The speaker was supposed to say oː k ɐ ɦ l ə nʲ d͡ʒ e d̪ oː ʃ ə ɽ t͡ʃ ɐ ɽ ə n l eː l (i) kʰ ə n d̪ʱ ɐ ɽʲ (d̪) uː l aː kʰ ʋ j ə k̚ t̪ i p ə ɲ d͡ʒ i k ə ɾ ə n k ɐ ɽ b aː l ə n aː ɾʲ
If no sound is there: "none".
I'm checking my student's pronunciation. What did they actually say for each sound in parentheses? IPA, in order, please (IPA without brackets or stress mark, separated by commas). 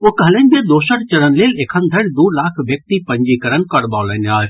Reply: e, d̪